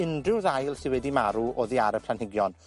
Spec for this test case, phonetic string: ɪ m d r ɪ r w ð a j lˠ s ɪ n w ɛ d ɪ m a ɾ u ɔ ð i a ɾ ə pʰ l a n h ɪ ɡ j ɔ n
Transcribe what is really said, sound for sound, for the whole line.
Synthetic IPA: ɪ n d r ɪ w ð a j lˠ s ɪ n w ɛ d i m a ɾ u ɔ ð i a ɾ ə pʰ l a n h ɪ ɡ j ɔ n